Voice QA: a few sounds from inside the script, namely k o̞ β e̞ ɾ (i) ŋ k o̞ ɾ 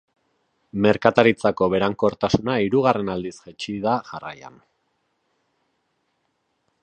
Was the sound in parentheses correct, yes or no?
no